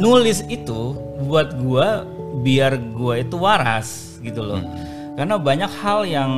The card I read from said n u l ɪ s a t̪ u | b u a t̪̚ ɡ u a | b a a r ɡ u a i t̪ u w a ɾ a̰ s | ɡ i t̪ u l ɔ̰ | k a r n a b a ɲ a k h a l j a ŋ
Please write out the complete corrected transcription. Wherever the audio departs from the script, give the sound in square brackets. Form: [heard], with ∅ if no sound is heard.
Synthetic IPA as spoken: n u l ɪ s [i] t̪ u | b u a t̪̚ ɡ u a | b [i] a r ɡ u a i t̪ u w a ɾ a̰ s | ɡ i t̪ u l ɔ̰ | k a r n a b a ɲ a k h a l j a ŋ